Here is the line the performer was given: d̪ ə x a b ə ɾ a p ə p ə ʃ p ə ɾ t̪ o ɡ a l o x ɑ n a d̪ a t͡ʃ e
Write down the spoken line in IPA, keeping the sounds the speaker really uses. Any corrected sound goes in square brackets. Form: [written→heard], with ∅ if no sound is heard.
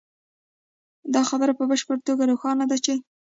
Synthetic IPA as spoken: d̪ [ə→ɑ] x a b ə ɾ a p ə [p→b] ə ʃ p ə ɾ t̪ o ɡ a [l→ɾ] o x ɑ n a d̪ a t͡ʃ e